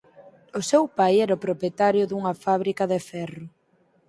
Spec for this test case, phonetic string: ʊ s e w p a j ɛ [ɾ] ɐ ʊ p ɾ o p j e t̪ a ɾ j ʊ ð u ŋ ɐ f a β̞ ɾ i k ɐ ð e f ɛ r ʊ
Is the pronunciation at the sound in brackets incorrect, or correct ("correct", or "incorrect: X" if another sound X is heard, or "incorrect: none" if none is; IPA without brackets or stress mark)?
correct